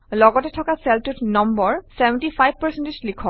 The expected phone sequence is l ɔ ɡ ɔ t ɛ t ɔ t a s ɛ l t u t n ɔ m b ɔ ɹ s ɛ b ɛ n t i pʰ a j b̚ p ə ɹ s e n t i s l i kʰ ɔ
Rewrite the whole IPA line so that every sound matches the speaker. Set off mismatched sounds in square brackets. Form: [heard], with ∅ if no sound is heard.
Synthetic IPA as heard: l ɔ ɡ ɔ t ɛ [tʰ] ɔ [k] a s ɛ l t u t n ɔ m b ɔ ɹ s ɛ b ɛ n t i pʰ a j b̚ p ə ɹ s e n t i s l i kʰ ɔ